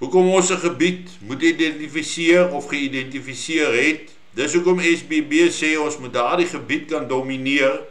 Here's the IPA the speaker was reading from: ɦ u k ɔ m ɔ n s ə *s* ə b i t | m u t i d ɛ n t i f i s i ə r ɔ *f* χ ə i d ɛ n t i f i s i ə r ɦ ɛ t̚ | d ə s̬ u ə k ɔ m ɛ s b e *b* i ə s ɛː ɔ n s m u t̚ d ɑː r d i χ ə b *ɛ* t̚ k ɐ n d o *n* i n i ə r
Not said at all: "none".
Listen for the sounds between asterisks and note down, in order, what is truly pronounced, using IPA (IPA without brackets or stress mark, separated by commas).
χ, f, b, i, m